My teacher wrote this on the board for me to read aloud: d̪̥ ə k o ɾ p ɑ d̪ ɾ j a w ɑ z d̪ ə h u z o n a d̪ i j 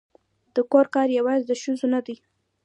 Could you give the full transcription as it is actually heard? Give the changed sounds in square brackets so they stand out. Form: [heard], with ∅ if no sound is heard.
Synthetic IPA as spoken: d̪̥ ə k o ɾ [k] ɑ [∅] ɾ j a w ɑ z d̪ ə [ʃ] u z o n a d̪ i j